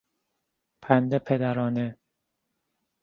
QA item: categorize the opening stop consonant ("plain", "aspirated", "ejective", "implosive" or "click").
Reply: aspirated